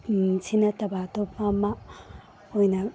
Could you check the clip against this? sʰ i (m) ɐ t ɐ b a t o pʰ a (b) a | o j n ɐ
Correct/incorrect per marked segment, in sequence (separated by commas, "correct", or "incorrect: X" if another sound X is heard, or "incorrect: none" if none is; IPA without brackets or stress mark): incorrect: n, incorrect: m